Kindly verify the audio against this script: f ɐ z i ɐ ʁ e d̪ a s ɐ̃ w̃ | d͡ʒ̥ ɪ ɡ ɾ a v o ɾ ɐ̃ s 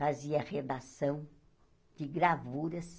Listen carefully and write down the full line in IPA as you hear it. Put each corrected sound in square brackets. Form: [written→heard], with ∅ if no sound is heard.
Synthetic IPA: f [ɐ→a] z i ɐ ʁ e d̪ a s ɐ̃ w̃ | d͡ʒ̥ ɪ ɡ ɾ a v [o→u] ɾ [ɐ̃→ɐ] s